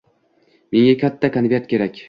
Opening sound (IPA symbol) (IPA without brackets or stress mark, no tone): m